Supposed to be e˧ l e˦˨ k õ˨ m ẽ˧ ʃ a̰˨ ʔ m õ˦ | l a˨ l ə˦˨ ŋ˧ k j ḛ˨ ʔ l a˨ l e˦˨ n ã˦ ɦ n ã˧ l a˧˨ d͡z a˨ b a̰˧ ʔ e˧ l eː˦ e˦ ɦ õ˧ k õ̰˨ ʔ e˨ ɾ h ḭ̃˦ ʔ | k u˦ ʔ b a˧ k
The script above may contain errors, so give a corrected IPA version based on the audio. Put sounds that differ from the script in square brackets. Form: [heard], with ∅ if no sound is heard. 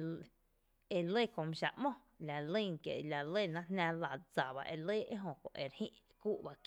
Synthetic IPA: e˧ l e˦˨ k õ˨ m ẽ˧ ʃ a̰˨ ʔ m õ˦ | l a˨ l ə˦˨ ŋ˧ k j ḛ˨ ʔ l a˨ l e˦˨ n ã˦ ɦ n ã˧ l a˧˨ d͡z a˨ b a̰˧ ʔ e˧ l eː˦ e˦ ɦ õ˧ k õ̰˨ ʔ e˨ ɾ h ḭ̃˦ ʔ | k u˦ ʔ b a˧ k

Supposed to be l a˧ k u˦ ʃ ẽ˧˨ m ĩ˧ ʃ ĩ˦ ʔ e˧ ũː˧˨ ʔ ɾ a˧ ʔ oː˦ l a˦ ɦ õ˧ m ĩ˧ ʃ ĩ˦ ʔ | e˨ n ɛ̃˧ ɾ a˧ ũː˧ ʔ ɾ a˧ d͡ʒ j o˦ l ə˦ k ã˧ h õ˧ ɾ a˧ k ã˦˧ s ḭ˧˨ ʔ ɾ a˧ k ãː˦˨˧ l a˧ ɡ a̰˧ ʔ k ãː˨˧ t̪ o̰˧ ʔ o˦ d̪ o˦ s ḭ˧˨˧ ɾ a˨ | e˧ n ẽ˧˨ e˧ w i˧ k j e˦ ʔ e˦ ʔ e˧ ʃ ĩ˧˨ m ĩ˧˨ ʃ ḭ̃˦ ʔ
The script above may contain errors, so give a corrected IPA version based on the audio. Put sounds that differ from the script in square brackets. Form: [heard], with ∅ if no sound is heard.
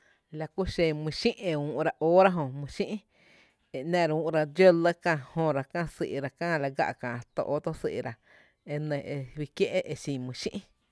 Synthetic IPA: l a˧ k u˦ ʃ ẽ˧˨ m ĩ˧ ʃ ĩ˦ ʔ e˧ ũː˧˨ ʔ ɾ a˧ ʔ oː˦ [ɾ] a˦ ɦ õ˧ m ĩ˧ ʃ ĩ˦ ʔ | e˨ n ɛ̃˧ ɾ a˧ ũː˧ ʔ ɾ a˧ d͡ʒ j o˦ l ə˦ k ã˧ h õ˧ ɾ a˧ k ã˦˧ s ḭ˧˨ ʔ ɾ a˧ k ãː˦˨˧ l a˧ ɡ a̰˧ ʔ k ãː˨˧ t̪ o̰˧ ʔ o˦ [t̪] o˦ s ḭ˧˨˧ ɾ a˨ | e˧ n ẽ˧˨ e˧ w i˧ k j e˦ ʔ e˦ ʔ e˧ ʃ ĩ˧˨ m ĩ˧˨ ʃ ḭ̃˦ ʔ

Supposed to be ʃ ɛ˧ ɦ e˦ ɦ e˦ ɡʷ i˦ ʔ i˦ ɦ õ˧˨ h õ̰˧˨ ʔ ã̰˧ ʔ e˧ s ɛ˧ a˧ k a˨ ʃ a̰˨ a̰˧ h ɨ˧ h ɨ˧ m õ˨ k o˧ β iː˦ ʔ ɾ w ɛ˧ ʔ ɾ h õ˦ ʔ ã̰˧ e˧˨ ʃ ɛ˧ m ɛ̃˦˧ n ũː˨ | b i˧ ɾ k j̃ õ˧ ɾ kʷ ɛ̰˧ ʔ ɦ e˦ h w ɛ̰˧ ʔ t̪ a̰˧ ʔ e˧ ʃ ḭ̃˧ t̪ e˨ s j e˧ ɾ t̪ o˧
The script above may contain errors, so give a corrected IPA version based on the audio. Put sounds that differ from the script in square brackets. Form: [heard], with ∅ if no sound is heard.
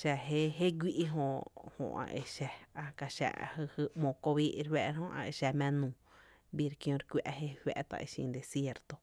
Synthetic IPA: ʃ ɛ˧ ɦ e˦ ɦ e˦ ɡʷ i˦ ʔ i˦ ɦ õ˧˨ h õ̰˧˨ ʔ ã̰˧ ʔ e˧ [ʃ] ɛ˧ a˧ k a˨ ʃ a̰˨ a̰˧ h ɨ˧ h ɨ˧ m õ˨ k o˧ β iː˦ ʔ ɾ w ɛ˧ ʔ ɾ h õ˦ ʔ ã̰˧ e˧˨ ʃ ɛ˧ m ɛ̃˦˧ n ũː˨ | b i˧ ɾ k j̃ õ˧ ɾ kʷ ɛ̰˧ ʔ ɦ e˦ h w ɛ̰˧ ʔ t̪ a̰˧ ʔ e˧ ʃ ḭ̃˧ [d̪] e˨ s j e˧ ɾ t̪ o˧

